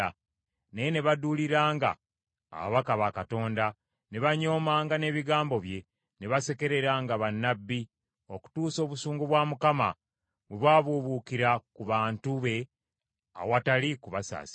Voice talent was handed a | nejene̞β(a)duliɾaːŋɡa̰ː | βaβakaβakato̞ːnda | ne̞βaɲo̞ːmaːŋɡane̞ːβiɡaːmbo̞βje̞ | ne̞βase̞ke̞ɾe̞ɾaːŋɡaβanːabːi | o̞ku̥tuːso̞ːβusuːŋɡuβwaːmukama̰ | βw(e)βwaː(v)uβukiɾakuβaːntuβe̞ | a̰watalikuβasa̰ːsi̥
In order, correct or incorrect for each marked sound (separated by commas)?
correct, correct, incorrect